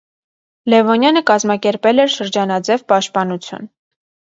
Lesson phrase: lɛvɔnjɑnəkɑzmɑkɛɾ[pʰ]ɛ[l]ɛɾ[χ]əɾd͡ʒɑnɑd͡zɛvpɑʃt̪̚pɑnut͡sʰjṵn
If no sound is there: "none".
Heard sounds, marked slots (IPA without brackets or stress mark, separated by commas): p, l, ʃ